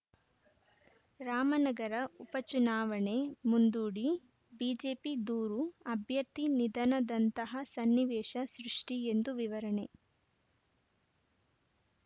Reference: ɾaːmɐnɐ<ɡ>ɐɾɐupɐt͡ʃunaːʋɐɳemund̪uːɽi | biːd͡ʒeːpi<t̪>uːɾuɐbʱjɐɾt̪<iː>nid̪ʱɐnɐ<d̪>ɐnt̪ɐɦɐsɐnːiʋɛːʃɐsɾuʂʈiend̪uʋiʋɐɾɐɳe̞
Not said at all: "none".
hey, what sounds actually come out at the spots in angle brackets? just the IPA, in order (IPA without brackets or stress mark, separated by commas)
ɡ, d̪, i, d̪